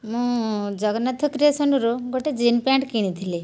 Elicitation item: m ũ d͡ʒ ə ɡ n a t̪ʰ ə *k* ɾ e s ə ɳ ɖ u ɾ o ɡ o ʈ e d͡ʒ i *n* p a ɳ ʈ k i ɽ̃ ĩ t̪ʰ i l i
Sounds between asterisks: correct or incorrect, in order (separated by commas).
correct, correct